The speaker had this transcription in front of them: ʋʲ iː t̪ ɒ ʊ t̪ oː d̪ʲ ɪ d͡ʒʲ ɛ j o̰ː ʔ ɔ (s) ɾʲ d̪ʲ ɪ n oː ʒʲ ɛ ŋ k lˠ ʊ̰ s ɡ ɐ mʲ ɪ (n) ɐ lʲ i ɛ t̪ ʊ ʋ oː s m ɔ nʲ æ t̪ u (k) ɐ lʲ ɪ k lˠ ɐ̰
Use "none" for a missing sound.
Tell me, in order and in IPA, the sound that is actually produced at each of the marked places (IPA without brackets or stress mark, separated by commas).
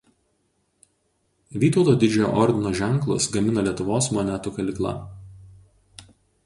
none, n, k